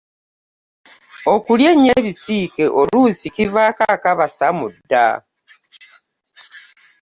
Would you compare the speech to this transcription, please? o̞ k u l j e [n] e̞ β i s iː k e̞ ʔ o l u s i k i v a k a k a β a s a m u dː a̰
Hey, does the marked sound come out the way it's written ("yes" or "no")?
no